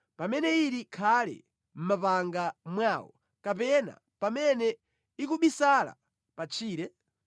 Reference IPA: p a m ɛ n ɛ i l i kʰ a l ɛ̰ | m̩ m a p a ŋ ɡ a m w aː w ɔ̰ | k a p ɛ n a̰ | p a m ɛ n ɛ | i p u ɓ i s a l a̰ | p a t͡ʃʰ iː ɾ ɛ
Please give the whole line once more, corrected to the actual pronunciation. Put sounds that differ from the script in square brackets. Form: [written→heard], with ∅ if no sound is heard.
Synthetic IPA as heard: p a m ɛ n ɛ i [l→ɾ] i kʰ a l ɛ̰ | m̩ m a p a ŋ ɡ a m w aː w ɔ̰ | k a p ɛ n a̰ | p a m ɛ n ɛ | i [p→k] u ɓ i s a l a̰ | p a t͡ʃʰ iː ɾ ɛ